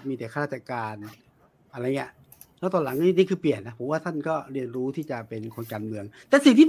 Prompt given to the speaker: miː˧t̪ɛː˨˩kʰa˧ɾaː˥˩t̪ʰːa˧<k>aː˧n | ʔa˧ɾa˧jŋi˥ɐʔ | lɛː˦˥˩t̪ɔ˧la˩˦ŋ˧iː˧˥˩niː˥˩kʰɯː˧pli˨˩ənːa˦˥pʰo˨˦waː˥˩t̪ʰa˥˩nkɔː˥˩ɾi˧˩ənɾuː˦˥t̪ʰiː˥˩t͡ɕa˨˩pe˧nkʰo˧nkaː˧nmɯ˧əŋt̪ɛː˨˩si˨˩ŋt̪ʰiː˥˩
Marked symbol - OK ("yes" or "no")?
yes